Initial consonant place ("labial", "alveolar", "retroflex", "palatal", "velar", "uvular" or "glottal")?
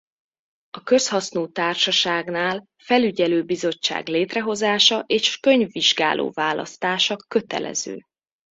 velar